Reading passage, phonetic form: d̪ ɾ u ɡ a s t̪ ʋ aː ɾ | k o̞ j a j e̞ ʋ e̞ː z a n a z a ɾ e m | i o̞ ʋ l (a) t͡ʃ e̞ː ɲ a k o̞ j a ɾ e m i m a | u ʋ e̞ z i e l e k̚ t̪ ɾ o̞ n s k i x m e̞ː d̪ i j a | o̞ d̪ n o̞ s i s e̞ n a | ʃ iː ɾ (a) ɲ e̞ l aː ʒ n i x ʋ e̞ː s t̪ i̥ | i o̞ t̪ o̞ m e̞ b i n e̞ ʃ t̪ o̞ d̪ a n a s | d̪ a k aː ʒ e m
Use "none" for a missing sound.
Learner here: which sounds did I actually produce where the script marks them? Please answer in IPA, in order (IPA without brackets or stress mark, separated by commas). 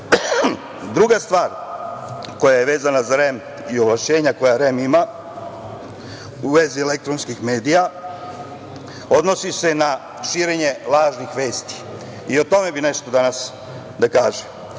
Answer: a, e